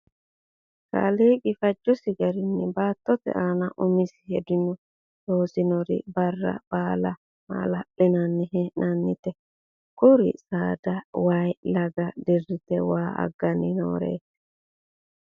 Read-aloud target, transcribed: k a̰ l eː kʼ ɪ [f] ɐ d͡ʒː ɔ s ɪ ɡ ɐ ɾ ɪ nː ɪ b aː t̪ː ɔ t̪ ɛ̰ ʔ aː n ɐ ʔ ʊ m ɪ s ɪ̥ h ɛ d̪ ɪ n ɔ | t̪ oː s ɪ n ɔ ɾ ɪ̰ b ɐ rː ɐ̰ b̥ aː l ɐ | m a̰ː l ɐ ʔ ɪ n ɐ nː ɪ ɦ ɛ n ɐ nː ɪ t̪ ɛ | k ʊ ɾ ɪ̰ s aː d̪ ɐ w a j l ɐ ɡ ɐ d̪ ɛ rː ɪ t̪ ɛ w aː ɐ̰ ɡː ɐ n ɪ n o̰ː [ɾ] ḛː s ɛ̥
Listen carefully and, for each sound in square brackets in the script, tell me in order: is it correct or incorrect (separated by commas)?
correct, correct